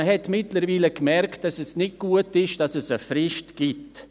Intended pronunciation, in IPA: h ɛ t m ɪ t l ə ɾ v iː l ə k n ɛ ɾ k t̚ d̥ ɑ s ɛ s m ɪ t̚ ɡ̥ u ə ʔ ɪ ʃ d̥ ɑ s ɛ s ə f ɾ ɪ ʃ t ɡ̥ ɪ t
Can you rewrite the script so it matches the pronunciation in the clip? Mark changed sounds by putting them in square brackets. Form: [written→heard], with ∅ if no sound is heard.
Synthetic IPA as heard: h ɛ t m ɪ t l ə ɾ v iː l ə k [n→m] ɛ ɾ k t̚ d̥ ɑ s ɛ s [m→n] ɪ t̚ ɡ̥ u ə [ʔ→t] ɪ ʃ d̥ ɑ s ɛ s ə f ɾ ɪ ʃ t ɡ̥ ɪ t